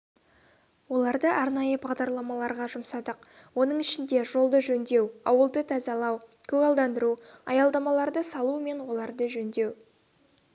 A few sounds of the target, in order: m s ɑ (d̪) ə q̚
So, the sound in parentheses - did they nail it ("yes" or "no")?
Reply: yes